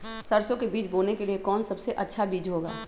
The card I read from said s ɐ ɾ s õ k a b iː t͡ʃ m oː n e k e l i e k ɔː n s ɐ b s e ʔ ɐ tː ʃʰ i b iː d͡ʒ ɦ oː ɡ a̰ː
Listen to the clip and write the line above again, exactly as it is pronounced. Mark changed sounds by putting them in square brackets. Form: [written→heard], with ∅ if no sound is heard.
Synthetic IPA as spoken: s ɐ ɾ s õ k [a→e] b iː t͡ʃ [m→b] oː n e k e l i e k ɔː n s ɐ b s e ʔ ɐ tː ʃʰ [i→a] b iː d͡ʒ ɦ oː ɡ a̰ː